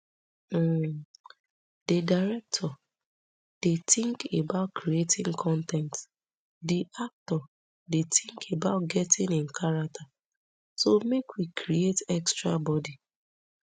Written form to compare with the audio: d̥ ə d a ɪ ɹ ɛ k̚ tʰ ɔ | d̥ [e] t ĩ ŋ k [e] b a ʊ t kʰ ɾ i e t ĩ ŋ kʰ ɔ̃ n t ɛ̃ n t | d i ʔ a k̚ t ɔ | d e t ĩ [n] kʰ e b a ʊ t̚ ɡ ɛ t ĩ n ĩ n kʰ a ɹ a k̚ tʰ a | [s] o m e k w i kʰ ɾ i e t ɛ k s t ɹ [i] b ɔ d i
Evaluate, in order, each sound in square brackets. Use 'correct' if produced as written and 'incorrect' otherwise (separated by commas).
correct, correct, incorrect, correct, incorrect